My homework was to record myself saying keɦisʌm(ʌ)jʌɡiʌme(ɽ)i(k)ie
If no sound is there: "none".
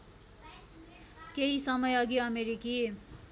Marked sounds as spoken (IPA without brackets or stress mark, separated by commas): ʌ, ɾ, k